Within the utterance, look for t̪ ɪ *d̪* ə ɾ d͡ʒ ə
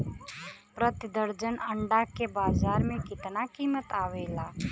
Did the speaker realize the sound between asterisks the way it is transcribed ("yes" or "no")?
yes